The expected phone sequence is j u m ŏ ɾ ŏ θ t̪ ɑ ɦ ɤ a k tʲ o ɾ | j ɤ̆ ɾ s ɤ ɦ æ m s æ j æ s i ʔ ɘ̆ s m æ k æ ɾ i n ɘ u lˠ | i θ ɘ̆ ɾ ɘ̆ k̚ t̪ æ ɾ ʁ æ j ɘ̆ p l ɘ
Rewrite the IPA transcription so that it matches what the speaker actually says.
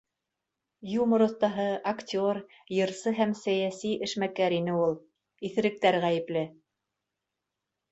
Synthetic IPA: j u m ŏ ɾ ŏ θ t̪ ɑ ɦ ɤ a k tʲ o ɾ | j ɤ̆ ɾ s ɤ ɦ æ m s æ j æ s i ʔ ɘ̆ ʃ m æ k æ ɾ i n ɘ u lˠ | i θ ɘ̆ ɾ ɘ̆ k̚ t̪ æ ɾ ʁ æ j ɘ̆ p l ɘ